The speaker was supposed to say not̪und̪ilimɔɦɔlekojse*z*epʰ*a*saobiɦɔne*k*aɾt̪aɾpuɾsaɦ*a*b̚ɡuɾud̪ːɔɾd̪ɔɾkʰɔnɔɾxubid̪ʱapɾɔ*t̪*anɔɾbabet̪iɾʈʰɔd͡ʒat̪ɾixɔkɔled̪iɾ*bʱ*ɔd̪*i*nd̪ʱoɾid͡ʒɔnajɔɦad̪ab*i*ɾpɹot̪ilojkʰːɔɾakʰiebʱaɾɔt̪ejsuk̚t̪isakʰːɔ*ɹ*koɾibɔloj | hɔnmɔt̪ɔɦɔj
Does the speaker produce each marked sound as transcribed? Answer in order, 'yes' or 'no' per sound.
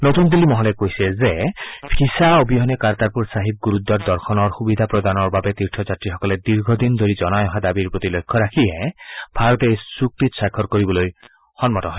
yes, no, yes, no, no, no, yes, yes, no

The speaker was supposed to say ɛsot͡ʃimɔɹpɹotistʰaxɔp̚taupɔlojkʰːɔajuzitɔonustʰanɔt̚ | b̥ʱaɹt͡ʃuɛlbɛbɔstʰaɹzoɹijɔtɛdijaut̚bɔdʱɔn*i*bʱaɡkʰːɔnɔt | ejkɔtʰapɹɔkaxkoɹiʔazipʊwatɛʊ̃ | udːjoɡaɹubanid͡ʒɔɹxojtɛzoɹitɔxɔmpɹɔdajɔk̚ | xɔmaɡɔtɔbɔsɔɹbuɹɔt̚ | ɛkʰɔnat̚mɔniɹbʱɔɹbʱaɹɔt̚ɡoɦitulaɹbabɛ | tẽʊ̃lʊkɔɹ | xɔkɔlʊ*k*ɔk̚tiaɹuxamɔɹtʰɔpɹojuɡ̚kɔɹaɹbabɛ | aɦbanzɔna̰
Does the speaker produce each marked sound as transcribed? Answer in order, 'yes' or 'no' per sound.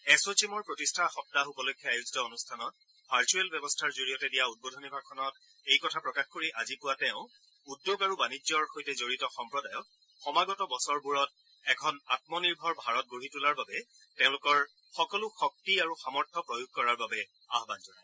yes, no

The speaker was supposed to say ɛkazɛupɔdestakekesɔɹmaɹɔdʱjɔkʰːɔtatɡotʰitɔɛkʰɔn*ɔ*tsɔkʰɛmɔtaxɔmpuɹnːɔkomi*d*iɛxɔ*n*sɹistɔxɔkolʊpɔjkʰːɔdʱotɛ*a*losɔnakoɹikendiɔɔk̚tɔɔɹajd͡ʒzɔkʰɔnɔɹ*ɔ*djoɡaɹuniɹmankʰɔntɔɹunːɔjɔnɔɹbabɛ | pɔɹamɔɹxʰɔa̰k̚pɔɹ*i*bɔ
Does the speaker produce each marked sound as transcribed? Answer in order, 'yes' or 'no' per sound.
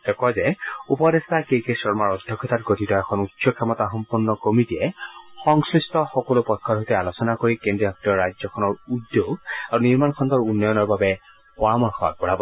no, no, no, yes, no, no

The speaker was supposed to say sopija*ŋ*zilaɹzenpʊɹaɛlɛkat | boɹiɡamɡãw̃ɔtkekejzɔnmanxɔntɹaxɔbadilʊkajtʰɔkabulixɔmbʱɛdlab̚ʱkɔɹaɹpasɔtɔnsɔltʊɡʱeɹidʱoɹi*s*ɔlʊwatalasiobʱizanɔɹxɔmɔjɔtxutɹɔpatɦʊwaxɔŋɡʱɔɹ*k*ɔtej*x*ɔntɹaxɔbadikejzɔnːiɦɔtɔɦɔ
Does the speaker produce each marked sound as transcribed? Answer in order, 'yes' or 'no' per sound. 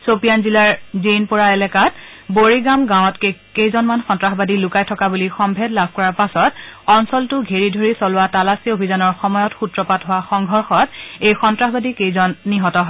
no, yes, no, yes

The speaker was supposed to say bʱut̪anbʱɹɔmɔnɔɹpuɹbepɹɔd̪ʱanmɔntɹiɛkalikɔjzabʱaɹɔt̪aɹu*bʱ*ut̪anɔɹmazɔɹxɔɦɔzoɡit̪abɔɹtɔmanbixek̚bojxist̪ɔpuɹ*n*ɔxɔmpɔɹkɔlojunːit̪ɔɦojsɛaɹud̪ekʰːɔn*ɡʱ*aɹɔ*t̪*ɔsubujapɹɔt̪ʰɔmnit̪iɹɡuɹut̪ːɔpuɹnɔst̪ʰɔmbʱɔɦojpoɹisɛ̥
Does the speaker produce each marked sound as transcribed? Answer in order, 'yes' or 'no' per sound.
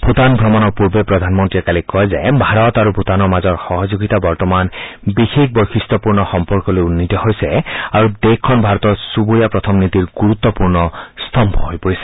yes, yes, no, yes

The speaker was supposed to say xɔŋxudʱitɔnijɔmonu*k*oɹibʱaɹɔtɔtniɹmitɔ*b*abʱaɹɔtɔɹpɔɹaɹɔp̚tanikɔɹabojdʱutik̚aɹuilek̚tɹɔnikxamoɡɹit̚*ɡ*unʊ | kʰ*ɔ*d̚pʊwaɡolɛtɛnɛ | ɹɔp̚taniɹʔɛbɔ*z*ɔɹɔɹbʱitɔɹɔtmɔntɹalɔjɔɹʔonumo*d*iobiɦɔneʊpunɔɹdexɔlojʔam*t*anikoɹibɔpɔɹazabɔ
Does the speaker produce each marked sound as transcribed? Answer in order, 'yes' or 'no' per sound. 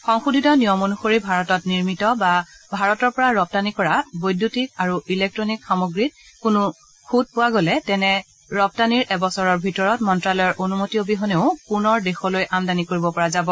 no, yes, no, no, no, no, no

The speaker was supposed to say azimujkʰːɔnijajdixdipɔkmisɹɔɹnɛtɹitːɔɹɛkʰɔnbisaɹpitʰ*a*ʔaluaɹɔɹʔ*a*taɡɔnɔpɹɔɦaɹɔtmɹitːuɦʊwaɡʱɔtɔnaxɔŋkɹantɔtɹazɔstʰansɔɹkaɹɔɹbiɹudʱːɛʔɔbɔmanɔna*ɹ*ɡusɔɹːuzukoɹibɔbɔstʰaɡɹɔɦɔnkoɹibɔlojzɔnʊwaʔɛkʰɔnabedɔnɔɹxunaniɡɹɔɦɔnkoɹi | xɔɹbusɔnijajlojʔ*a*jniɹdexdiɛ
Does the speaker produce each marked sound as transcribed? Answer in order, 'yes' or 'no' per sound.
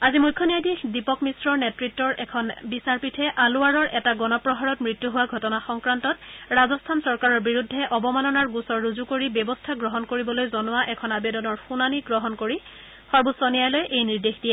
no, no, yes, no

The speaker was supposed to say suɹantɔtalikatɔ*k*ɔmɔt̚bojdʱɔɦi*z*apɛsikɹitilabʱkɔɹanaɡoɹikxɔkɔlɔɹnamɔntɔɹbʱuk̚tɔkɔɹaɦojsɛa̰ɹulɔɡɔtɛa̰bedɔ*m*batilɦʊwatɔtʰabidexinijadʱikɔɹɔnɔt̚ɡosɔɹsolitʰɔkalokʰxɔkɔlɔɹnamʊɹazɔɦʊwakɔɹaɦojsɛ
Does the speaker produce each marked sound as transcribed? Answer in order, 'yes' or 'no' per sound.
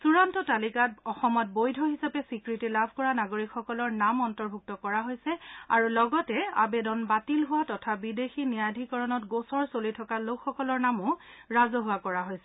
no, no, no

